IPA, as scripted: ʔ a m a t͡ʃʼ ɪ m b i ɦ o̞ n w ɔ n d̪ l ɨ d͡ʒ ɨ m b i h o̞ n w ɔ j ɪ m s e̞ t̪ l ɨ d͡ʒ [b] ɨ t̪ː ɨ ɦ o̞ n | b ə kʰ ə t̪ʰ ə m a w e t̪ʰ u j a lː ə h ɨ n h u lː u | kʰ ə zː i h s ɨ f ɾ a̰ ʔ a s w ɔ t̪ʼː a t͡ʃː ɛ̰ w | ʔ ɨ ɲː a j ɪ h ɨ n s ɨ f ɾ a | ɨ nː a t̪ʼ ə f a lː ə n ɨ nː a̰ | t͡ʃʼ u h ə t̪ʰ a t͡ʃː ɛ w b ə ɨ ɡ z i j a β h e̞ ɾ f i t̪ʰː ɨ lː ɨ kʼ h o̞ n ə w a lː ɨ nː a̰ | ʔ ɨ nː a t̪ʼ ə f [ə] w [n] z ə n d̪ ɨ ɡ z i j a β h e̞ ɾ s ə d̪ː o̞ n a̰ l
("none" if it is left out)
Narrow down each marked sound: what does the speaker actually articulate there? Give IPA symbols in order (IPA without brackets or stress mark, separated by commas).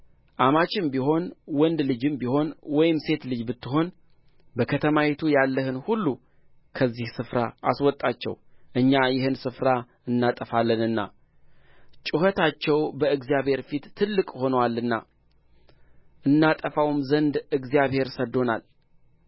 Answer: b, a, m